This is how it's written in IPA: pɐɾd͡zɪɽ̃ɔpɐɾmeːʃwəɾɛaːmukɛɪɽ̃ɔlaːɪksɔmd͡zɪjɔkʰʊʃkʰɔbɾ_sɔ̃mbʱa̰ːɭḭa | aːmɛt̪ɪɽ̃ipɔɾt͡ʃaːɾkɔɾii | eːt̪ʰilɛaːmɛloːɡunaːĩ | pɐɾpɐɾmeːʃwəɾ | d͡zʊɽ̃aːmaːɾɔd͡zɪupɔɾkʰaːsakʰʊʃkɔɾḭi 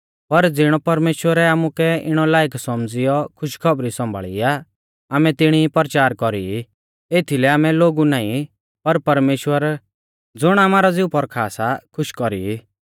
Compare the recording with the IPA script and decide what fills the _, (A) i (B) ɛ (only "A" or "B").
A